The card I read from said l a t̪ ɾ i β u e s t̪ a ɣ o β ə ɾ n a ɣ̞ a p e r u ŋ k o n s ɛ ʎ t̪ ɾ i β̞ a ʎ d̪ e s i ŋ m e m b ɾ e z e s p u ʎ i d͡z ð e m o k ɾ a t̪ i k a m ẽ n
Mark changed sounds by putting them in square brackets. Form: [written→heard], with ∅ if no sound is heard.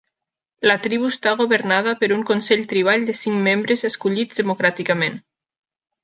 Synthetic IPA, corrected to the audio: l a t̪ ɾ i β u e s t̪ a ɣ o β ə ɾ n a [ɣ̞→ð̞] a p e [r→ɾ] u ŋ k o n s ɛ ʎ t̪ ɾ i β̞ a ʎ d̪ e s i ŋ m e m b ɾ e z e s [p→k] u ʎ i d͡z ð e m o k ɾ a t̪ i k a m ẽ n

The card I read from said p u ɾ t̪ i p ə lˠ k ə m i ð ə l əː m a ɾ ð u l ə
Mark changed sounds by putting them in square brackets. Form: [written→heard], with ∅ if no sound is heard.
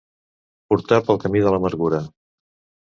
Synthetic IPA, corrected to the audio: p u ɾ t̪ [i→a] p ə lˠ k ə m i ð ə l [əː→ə] m [a→ə] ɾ [ð→ɣ] u [l→ɾ] ə

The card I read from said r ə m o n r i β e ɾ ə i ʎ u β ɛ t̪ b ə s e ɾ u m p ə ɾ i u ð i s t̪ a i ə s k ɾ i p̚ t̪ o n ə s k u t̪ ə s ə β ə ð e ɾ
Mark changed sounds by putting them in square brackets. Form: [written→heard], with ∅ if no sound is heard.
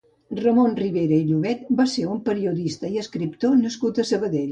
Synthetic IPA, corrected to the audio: r ə m o n r i β e ɾ ə i ʎ u β ɛ t̪ b [ə→a] s e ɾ u m p ə ɾ i u ð i s t̪ [a→ə] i ə s k ɾ i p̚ t̪ o n ə s k u t̪ ə s ə β ə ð e [ɾ→ʎ]

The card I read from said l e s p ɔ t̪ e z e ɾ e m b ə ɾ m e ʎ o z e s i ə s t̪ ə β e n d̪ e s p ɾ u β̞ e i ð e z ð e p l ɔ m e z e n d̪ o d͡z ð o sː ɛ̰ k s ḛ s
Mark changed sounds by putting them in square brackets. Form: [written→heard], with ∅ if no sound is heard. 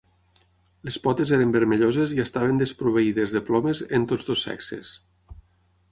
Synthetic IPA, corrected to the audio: l e s p ɔ t̪ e z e ɾ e m b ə ɾ m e ʎ o z e [s→z] i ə s t̪ [ə→a] β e n d̪ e s p ɾ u β̞ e i ð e z ð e p l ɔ m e z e n [d̪→t̪] o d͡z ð o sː ɛ̰ k s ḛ s

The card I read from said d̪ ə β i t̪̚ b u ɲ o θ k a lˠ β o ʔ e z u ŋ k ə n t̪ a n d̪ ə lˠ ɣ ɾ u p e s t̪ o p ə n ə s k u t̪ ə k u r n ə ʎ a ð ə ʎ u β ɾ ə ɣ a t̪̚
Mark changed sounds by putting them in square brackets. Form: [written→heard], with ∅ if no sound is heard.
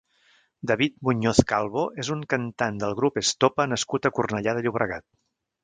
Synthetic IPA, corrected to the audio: d̪ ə β i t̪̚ [b→m] u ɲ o θ k a lˠ β o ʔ e z u ŋ k ə n t̪ a n d̪ ə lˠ ɣ ɾ u p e s t̪ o p ə n ə s k u t̪ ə k u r n ə ʎ a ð ə ʎ u β ɾ ə ɣ a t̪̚

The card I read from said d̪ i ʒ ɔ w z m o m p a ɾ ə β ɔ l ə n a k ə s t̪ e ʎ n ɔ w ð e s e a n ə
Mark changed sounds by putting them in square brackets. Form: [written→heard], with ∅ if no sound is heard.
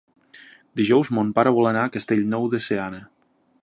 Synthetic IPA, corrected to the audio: d̪ i ʒ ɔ w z m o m p a ɾ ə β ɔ l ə n a k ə s t̪ e ʎ n ɔ w ð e s e a n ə

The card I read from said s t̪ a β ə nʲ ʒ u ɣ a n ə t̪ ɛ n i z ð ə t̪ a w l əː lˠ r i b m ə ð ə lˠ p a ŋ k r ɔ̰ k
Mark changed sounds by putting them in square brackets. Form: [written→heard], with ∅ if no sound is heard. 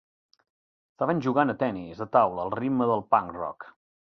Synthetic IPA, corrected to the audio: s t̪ a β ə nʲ ʒ u ɣ a n ə t̪ ɛ n i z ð ə t̪ a w l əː lˠ r i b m ə ð ə lˠ p a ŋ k r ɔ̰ k

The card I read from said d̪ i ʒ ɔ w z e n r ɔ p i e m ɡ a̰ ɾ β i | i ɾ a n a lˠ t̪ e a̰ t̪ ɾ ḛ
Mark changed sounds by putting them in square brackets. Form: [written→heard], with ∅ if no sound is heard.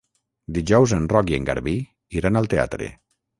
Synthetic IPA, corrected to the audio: d̪ i ʒ ɔ w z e n r ɔ [p→k] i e [m→ŋ] ɡ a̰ ɾ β i | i ɾ a n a lˠ t̪ e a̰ t̪ ɾ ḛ

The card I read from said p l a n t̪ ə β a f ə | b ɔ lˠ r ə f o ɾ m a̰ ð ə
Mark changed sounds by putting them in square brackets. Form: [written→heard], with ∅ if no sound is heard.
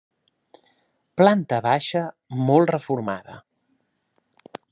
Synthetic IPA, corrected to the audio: p l a n t̪ ə β a [f→ʃ] ə | [b→m] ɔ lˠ r ə f [o→u] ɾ m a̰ ð ə

